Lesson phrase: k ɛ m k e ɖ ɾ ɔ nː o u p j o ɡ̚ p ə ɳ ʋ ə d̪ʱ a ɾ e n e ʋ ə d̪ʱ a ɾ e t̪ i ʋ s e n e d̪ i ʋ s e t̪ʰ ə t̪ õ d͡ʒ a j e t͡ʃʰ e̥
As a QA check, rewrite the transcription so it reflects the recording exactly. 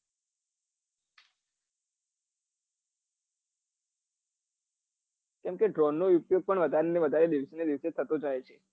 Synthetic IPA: k ɛ m k e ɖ ɾ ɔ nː o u p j o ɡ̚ p ə ɳ ʋ ə d̪ʱ a ɾ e n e ʋ ə d̪ʱ a ɾ e d̪ i ʋ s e n e d̪ i ʋ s e t̪ʰ ə t̪ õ d͡ʒ a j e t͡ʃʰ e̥